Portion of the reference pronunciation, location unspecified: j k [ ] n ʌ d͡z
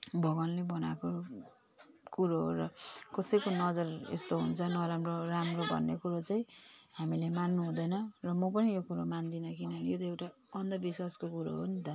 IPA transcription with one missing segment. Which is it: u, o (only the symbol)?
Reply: o